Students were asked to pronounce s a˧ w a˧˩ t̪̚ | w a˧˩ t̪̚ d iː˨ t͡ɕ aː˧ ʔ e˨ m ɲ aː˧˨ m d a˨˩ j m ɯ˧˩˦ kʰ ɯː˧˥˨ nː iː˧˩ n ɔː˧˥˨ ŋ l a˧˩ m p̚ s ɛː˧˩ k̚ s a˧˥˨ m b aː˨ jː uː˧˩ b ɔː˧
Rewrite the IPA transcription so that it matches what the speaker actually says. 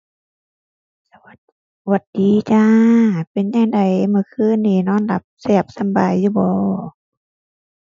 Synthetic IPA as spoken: s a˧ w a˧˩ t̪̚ | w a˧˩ t̪̚ d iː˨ t͡ɕ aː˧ p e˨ n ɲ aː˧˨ ŋ d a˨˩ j m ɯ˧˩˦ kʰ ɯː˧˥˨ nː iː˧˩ n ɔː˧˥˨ n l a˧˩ p̚ s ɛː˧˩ p̚ s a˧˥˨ m b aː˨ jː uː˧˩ b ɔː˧

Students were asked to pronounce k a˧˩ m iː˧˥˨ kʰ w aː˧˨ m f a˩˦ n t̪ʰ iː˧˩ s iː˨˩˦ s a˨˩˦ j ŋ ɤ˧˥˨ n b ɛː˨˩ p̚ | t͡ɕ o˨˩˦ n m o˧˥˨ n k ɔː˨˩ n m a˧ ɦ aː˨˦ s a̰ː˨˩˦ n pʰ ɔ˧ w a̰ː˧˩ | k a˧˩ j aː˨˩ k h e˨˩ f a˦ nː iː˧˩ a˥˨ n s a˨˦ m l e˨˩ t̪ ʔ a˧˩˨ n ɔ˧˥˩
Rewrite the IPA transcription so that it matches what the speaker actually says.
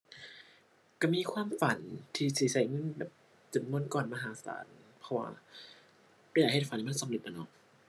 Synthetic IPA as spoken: k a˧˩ m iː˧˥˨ kʰ w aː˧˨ m f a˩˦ n t̪ʰ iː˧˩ s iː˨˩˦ s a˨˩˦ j ŋ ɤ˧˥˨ n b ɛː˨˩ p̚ | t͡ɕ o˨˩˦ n m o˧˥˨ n k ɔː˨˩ n m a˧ ɦ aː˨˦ s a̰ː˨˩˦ n pʰ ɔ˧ w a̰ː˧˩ | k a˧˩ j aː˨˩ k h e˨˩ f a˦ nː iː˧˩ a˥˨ n s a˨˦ m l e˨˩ t̪ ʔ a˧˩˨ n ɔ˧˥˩

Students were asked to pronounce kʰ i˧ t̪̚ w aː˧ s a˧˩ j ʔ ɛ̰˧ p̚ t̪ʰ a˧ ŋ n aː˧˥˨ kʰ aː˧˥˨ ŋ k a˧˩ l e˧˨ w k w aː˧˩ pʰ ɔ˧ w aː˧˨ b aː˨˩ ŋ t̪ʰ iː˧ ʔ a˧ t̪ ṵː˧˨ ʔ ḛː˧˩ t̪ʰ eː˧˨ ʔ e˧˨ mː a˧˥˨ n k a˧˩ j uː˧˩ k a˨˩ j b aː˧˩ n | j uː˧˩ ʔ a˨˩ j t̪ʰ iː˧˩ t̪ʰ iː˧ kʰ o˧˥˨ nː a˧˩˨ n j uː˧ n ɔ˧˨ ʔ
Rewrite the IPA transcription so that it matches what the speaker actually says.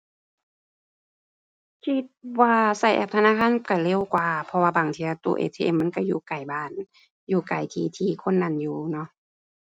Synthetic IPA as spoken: kʰ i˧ t̪̚ w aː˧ s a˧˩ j ʔ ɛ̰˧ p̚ t̪ʰ a˧ n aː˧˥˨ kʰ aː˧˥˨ n k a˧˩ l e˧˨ w k w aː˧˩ pʰ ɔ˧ w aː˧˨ b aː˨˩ ŋ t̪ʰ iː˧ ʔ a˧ t̪ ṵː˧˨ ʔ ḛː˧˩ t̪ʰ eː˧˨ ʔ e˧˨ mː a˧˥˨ n k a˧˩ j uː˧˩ k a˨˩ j b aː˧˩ n | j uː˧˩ k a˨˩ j t̪ʰ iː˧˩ t̪ʰ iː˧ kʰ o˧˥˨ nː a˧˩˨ n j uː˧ n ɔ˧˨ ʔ

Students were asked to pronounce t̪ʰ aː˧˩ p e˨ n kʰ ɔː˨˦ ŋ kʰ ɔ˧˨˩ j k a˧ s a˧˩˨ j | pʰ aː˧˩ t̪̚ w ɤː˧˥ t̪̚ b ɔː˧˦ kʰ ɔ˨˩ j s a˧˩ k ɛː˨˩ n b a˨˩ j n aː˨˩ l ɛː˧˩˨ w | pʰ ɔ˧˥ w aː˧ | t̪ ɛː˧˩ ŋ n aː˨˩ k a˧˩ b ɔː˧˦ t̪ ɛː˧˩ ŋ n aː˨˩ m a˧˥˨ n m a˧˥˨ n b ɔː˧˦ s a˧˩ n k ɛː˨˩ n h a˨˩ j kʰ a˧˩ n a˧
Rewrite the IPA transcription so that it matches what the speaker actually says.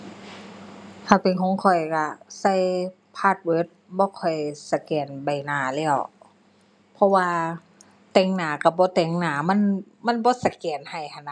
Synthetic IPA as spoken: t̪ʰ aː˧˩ p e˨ n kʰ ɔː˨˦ ŋ kʰ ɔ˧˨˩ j k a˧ s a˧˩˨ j | pʰ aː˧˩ t̪̚ w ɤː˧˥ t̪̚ b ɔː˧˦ kʰ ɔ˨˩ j s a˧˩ k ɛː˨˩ n b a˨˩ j n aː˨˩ l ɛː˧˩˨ w | pʰ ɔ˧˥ w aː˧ | t̪ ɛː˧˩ ŋ n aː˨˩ k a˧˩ b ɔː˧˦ t̪ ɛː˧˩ ŋ n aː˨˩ m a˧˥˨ n m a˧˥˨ n b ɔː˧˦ s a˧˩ k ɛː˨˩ n h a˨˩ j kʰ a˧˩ n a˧

